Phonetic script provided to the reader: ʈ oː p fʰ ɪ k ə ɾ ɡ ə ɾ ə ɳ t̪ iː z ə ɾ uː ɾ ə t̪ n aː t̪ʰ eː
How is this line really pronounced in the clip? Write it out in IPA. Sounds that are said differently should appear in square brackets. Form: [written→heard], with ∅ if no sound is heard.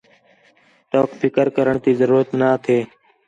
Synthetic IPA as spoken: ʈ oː [p→k] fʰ ɪ k ə ɾ [ɡ→k] ə ɾ ə ɳ t̪ iː z ə ɾ uː ɾ ə t̪ n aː t̪ʰ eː